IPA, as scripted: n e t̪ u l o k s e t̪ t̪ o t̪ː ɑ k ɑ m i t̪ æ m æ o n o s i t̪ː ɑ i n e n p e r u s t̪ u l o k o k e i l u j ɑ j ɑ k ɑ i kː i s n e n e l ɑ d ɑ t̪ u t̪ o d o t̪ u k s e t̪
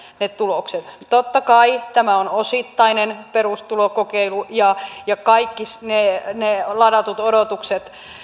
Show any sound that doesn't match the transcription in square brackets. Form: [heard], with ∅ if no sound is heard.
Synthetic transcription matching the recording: n e t̪ u l o k s e t̪ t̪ o t̪ː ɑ k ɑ [∅] i t̪ æ m æ o n o s i t̪ː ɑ i n e n p e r u s t̪ u l o k o k e i l u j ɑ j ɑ k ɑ i kː i s n e n e l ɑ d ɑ t̪ u t̪ o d o t̪ u k s e t̪